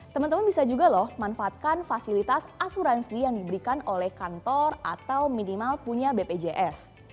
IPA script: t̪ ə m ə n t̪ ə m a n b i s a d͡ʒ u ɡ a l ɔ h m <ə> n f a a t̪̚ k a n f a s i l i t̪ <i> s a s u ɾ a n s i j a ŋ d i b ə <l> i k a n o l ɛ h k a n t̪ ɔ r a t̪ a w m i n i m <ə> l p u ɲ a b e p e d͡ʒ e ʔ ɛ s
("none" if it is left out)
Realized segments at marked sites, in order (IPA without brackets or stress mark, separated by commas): a, a, ɾ, a